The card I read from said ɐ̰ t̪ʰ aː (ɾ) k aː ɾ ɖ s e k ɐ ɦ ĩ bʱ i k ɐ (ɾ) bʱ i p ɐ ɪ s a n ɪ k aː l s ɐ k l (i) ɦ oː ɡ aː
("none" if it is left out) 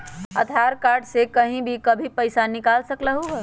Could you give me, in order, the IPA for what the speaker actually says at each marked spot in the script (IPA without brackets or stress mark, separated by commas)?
ɾ, none, a